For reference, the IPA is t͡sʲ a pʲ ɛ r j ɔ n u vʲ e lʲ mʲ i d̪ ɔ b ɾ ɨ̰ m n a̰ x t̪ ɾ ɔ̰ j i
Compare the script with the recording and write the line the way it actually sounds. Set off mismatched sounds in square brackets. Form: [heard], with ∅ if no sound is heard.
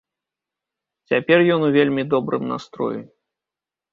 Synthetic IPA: t͡sʲ a pʲ ɛ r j ɔ n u vʲ e lʲ mʲ i d̪ ɔ b ɾ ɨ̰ m n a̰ [s] t̪ ɾ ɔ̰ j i